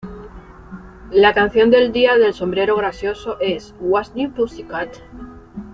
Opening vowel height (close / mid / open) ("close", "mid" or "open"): open